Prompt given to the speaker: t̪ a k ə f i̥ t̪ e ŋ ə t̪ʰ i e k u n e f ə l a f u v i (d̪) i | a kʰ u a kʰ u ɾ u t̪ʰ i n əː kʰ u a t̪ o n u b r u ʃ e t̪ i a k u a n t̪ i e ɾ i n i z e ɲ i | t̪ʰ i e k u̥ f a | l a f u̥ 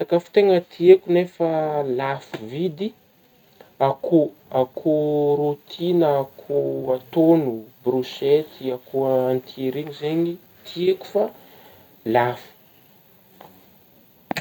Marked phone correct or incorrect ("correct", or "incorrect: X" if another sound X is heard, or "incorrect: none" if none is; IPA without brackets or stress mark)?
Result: correct